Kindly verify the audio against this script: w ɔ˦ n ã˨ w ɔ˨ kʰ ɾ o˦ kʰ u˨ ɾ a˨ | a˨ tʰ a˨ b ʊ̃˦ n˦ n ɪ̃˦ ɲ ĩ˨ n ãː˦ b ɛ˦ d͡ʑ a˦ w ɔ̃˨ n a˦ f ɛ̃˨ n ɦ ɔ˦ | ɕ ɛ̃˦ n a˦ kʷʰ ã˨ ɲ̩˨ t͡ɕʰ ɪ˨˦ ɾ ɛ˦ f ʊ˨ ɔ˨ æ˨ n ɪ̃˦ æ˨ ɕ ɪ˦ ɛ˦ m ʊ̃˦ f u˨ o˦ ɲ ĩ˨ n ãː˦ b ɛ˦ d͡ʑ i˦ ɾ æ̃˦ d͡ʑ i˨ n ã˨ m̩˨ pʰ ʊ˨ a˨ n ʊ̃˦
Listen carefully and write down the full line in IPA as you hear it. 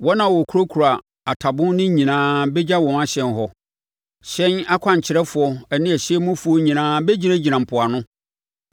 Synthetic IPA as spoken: w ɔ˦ n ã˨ w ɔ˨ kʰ ɾ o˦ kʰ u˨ ɾ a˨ | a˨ tʰ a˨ b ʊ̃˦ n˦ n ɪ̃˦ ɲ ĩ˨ n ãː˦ b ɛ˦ d͡ʑ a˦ w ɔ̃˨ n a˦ ɕ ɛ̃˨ n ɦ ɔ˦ | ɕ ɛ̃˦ n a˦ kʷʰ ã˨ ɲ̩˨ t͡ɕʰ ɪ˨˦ ɾ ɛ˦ f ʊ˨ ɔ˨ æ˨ n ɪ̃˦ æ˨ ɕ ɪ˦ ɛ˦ m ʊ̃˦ f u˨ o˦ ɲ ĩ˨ n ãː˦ b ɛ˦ d͡ʑ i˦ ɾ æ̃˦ d͡ʑ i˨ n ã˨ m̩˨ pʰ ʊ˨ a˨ n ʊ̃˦